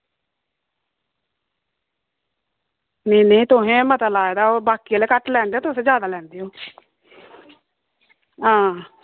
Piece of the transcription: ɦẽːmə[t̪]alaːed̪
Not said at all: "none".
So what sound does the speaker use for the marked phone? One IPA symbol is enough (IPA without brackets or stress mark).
t̪